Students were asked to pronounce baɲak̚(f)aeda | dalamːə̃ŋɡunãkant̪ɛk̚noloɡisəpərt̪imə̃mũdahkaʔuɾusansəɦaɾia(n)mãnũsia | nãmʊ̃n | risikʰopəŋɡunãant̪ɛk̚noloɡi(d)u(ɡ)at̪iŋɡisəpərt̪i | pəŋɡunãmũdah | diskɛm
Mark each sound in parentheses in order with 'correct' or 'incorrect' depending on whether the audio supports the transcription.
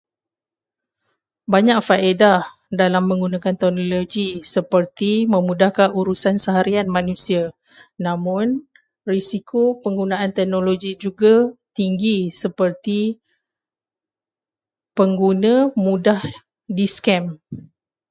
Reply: correct, correct, incorrect, correct

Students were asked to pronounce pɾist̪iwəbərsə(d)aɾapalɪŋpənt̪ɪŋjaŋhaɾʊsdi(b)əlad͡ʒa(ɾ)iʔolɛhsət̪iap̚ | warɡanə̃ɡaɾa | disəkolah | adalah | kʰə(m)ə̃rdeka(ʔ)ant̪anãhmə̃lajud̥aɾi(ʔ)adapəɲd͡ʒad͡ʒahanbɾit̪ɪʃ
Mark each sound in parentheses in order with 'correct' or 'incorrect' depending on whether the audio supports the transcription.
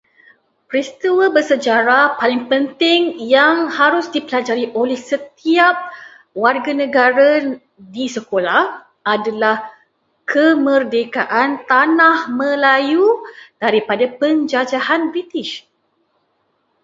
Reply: incorrect, incorrect, correct, correct, correct, incorrect

